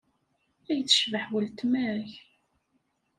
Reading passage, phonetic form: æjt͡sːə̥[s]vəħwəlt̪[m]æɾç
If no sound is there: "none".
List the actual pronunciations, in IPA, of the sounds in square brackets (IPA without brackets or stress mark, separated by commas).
ʃ, m